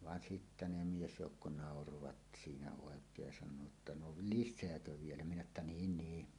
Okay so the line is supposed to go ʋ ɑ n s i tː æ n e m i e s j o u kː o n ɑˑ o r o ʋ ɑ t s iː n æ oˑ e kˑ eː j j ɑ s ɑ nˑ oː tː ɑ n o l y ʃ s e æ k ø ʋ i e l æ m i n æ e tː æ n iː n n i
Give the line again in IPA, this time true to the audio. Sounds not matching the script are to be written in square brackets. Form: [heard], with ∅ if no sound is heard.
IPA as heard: ʋ ɑ n s i tː æ n e m i e s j o u kː o n ɑˑ o r o ʋ ɑ t s iː n æ oˑ e kˑ eː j j ɑ s ɑ nˑ oː tː ɑ n o l [i] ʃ s e æ k ø ʋ i e l æ m i n æ e tː æ n iː n n [iː]